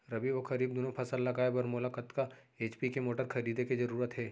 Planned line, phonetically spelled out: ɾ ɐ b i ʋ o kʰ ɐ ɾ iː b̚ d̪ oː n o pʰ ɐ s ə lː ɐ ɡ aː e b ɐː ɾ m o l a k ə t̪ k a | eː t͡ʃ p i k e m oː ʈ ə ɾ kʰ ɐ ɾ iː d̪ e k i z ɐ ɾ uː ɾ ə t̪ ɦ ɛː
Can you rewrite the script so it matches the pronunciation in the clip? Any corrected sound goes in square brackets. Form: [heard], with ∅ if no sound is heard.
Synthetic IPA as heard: ɾ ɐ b i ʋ o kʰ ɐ ɾ iː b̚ d̪ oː n o pʰ ɐ s ə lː ɐ ɡ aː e b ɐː ɾ m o l a k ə t̪ k a | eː t͡ʃ p i k e m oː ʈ ə ɾ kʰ ɐ ɾ iː d̪ e k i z ɐ ɾ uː ɾ ə t̪ ɦ ɛː

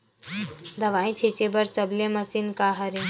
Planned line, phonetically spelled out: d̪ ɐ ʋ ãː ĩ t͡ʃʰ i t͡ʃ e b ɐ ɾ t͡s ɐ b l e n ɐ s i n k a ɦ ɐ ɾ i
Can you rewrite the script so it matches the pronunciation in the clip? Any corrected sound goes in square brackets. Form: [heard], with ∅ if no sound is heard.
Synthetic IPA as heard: d̪ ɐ ʋ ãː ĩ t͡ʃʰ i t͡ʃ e b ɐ ɾ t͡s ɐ b l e [m] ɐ s i n k a ɦ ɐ ɾ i

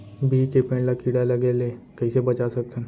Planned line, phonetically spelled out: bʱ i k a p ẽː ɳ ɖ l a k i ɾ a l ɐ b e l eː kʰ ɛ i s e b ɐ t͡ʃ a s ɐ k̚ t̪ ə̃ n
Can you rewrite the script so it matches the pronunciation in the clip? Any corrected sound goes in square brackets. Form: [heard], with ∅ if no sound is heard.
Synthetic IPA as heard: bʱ i k [e] p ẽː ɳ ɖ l a k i [ɽ] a l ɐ [ɡ] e l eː [k] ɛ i s e b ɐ t͡ʃ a s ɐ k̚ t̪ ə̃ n

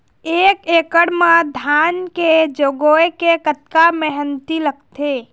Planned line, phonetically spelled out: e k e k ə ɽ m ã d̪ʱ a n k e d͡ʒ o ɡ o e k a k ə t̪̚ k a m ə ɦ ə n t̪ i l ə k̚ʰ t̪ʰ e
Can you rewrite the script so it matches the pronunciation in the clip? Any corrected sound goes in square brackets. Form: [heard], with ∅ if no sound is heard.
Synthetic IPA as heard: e k e k ə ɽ m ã d̪ʱ a n k e d͡ʒ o ɡ o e k [e] k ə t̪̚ k a m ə ɦ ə n t̪ i l ə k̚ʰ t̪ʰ e

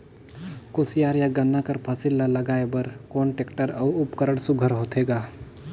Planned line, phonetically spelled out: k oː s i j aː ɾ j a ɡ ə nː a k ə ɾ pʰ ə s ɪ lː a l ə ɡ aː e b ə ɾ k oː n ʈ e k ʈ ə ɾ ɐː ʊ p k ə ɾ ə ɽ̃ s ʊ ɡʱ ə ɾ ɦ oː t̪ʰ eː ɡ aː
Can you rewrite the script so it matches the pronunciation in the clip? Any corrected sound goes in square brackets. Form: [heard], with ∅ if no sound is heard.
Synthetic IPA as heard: k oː s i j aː ɾ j a ɡ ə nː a k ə ɾ pʰ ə s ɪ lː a l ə ɡ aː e b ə ɾ k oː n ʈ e k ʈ ə ɾ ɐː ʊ p k ə ɾ ə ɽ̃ s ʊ ɡʱ ə ɾ ɦ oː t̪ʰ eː ɡ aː

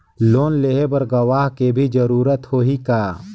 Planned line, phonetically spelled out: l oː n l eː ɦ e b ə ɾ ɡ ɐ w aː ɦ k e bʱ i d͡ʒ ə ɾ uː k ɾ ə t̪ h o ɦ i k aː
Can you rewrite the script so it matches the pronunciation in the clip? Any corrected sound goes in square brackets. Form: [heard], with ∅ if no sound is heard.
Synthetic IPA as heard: l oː n l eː ɦ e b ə ɾ ɡ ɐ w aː ɦ k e bʱ i d͡ʒ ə ɾ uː [∅] ɾ ə t̪ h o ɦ i k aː

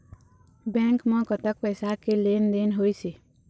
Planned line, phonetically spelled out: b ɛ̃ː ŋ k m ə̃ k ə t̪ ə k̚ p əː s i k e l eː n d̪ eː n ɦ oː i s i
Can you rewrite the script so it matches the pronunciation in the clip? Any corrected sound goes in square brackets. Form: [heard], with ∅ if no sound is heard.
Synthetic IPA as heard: b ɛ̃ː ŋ k m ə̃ k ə t̪ ə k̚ p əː s [a] k e l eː n d̪ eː n ɦ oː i s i

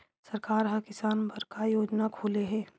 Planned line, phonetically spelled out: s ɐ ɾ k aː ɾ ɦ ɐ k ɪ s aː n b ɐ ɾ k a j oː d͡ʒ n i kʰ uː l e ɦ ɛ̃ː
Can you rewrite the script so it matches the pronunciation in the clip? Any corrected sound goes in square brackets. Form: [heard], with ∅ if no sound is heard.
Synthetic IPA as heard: s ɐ ɾ k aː ɾ ɦ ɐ k ɪ s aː n b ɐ ɾ k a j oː d͡ʒ n [a] kʰ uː l e ɦ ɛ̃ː

